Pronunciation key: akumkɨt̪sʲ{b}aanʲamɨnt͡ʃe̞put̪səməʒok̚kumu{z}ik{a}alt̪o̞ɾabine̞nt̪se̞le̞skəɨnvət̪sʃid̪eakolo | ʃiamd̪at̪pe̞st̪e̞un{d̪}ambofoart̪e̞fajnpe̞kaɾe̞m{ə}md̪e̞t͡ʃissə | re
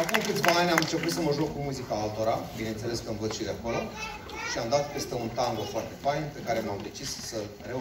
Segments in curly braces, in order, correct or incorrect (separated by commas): incorrect, correct, correct, incorrect, incorrect